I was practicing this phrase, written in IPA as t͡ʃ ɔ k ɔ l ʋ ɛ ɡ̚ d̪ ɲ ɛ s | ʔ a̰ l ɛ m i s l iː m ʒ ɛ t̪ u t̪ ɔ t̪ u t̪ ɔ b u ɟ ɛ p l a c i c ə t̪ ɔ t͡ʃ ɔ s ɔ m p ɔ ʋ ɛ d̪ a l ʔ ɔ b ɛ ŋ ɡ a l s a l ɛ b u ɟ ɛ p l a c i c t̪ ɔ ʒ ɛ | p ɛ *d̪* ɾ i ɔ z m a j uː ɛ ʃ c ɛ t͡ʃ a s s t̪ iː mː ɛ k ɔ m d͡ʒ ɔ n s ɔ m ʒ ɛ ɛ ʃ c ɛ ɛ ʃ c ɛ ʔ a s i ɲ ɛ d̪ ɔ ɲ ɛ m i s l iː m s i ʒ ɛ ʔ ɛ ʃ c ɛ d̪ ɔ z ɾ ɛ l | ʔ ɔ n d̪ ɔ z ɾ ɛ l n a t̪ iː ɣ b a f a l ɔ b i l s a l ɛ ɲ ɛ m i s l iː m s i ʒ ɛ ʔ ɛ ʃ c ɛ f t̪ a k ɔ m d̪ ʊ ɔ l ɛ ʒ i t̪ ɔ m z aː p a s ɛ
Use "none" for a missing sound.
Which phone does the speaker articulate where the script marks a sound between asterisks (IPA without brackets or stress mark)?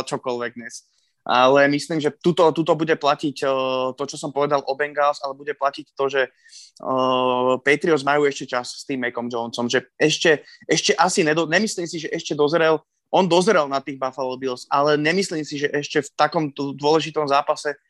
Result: t̪